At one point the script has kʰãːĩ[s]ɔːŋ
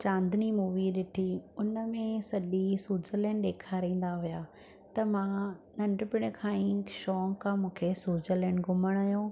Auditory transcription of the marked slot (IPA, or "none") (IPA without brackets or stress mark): ʃ